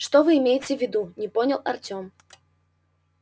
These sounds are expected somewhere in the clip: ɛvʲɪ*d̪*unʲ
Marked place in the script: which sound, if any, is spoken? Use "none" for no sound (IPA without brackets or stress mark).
d̪